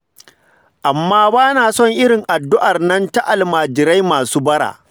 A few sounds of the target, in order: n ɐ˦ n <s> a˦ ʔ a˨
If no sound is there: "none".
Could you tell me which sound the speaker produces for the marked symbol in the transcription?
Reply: t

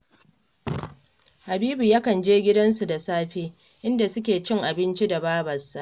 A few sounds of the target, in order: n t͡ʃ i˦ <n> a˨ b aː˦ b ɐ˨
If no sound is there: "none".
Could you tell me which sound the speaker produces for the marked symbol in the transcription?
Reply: d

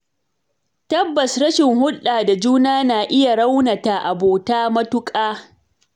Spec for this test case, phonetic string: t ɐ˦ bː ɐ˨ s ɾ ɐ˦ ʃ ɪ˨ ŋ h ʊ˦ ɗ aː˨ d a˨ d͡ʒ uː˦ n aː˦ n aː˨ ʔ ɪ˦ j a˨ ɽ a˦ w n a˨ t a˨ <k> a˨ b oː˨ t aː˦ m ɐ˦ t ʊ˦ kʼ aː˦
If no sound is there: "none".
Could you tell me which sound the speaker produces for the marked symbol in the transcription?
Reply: ʔ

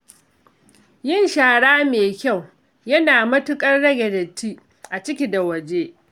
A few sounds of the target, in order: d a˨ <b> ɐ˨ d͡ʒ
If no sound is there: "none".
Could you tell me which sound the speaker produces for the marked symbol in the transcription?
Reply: w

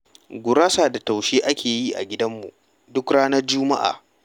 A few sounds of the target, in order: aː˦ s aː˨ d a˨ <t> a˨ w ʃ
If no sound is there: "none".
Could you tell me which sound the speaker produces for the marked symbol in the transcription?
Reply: t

